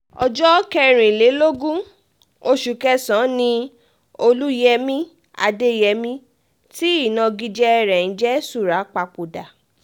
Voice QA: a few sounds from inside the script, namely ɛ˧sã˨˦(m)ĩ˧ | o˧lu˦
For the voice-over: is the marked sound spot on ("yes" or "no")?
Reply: no